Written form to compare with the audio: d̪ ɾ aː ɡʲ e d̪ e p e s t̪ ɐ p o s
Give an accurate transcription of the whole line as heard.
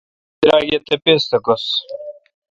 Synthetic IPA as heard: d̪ ɾ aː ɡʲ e t̪ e p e s t̪ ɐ k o s